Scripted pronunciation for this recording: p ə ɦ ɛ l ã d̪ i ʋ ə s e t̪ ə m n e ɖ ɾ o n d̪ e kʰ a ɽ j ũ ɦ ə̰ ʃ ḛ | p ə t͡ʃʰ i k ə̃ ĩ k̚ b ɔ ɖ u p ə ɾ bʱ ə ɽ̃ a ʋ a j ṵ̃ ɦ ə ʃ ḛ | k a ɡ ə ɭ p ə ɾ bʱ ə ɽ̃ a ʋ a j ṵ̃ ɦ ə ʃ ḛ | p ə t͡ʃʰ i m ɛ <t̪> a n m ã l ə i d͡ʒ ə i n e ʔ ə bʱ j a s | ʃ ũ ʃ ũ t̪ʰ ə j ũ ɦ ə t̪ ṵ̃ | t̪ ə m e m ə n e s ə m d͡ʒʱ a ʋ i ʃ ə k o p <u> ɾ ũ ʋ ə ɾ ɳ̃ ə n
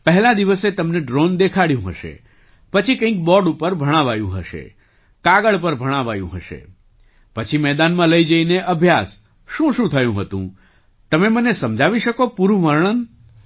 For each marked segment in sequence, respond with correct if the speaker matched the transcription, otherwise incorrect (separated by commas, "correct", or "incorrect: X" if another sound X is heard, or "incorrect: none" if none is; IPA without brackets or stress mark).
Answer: incorrect: d̪, correct